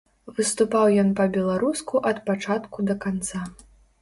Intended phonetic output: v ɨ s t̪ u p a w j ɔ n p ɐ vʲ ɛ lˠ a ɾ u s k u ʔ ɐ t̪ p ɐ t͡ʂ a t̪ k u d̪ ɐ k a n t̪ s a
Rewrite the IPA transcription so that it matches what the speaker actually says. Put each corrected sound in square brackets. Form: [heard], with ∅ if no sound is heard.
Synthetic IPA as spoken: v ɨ s t̪ u p a w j ɔ n p ɐ [bʲ] ɛ lˠ a ɾ u s k u ʔ ɐ t̪ p [a] t͡ʂ a t̪ k u d̪ ɐ k a n t̪ s a